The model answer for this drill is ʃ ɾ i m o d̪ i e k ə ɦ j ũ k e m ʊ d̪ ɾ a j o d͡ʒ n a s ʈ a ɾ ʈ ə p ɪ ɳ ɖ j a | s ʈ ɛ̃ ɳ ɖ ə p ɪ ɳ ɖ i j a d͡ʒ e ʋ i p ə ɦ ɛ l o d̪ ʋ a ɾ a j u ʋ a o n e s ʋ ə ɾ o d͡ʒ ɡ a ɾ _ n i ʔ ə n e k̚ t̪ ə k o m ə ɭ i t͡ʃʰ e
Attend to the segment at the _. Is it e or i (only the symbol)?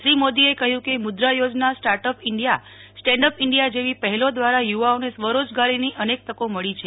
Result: i